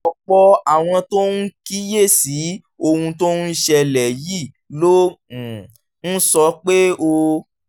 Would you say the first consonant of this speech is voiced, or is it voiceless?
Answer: voiceless